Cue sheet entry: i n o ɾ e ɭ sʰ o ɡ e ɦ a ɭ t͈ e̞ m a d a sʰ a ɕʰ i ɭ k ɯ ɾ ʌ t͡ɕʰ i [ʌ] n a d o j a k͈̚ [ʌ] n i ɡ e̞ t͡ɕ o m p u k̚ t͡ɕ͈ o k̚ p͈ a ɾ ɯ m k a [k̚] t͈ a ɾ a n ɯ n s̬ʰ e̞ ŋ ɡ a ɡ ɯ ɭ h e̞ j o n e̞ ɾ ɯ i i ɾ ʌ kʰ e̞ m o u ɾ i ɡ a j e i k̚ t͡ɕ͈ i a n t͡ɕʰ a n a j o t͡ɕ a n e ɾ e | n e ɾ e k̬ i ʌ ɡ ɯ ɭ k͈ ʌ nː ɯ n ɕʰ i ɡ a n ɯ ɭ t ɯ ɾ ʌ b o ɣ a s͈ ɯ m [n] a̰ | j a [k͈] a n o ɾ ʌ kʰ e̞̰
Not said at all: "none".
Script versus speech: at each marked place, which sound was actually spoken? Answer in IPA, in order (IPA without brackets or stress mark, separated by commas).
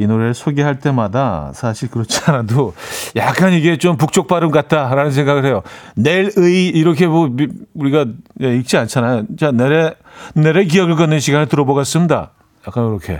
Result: a, a, t̚, d, k͈